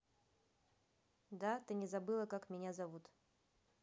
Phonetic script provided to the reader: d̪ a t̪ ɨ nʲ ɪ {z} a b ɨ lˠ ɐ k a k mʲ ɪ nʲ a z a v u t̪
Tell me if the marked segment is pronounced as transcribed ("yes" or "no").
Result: yes